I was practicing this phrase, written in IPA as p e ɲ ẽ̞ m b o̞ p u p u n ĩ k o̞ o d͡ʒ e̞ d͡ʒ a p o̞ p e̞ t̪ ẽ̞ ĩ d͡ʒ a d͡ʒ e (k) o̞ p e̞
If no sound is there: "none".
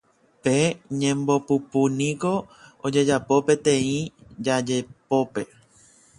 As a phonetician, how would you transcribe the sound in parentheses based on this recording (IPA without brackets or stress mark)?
p